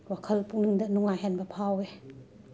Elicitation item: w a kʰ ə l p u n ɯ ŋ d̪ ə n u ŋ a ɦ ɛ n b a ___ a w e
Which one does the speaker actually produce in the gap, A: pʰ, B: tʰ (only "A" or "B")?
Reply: A